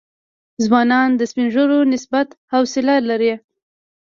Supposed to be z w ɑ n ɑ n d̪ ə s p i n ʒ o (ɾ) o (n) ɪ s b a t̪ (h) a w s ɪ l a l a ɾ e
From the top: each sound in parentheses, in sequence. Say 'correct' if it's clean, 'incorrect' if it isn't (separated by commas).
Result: correct, correct, correct